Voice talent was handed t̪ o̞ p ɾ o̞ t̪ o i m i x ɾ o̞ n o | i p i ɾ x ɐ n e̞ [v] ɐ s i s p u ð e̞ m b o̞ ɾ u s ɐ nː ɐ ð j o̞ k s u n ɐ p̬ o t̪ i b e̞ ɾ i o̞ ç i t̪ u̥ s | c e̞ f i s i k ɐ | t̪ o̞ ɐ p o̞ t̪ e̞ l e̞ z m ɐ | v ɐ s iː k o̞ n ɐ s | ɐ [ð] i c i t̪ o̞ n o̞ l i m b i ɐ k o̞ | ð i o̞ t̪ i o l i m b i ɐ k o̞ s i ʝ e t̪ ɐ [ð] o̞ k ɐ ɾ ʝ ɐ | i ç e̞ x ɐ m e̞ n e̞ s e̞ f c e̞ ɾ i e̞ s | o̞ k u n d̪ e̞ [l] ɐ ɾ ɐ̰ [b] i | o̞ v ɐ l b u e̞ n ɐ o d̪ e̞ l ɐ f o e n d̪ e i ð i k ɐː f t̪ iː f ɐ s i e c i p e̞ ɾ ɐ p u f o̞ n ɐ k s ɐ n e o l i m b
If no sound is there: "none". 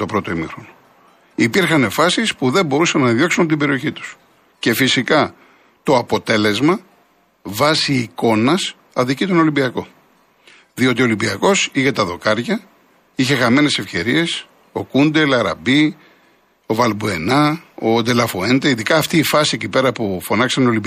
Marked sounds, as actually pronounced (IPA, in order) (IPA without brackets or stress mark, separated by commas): f, ð, ð, l, b